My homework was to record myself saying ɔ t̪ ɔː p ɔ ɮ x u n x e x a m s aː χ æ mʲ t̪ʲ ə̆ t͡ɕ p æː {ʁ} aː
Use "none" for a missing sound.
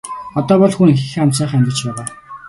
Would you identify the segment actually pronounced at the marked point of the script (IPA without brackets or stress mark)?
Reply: ʁ